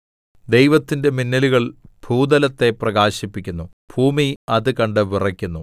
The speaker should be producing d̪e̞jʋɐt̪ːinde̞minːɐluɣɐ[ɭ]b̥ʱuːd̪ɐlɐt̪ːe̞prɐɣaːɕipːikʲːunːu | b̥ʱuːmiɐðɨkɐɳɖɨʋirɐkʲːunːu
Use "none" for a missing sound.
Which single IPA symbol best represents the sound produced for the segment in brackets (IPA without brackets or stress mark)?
ɭ